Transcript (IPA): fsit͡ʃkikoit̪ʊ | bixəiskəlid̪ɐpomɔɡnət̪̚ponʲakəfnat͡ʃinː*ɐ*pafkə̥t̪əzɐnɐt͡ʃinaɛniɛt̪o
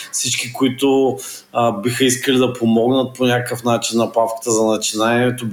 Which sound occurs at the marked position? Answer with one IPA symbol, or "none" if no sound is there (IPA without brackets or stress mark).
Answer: ɐ